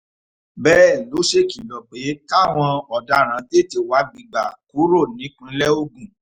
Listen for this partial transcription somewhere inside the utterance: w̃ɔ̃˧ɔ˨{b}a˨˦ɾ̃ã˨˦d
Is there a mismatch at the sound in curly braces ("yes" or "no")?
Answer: yes